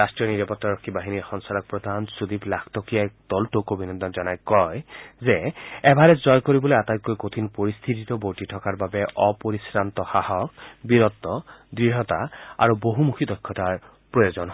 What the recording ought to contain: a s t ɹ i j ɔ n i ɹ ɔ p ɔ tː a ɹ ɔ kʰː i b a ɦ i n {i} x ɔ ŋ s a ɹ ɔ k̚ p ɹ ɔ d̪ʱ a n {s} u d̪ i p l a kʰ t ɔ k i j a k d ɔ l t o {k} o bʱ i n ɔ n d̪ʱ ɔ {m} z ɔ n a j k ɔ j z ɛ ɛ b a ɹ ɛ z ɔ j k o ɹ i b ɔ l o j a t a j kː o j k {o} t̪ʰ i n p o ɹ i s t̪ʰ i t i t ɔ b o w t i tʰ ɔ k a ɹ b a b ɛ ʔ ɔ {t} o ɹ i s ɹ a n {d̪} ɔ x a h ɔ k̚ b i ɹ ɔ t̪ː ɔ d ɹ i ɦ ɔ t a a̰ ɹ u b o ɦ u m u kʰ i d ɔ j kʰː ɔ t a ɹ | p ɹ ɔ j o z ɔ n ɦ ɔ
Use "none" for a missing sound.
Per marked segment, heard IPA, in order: i, s, k, n, o, p, t̪

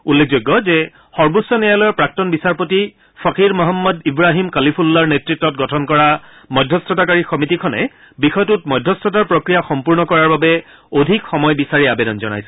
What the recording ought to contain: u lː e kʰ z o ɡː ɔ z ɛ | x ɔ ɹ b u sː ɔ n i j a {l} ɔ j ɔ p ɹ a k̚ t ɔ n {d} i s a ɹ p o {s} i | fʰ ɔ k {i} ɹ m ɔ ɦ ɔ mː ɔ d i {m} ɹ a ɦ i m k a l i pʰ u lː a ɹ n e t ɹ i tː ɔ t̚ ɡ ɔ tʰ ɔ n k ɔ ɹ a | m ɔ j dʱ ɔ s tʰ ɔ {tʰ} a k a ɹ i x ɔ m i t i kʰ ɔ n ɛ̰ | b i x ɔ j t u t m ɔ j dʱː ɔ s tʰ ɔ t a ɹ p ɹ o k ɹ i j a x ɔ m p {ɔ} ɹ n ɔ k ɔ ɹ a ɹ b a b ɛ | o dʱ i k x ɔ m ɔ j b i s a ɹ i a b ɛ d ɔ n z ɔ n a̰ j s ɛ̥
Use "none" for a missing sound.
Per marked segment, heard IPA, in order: l, b, t, i, b, t, u

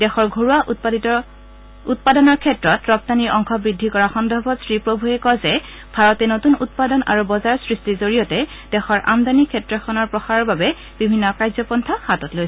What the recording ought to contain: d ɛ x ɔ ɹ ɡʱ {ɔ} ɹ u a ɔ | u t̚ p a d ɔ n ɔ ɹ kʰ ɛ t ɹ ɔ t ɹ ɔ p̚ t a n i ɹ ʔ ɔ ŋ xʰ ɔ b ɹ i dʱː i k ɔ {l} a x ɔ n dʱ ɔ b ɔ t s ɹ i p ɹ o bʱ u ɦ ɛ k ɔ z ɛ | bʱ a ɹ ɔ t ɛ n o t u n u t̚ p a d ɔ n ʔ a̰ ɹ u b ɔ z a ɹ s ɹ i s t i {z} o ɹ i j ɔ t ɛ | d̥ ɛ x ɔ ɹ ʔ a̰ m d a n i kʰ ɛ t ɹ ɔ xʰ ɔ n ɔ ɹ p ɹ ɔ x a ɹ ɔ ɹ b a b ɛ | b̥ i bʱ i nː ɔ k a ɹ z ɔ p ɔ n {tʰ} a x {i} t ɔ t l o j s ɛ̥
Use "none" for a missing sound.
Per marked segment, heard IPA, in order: o, ɹ, z, tʰ, a

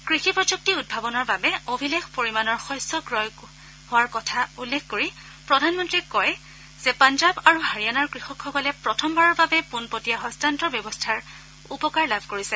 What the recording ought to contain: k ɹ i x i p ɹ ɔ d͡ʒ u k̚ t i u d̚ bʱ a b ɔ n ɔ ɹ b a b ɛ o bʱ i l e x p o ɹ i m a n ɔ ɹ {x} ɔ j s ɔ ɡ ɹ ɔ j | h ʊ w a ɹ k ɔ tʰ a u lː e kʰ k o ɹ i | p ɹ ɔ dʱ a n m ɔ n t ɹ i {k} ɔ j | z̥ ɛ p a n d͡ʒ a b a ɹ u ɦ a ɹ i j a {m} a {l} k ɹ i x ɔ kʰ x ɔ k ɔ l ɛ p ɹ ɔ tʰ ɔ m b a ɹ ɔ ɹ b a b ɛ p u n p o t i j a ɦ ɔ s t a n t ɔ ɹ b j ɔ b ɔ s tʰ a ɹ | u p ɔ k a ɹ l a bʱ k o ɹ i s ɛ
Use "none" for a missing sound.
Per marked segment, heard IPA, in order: x, k, n, ɹ

